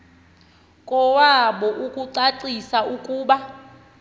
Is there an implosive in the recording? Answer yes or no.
yes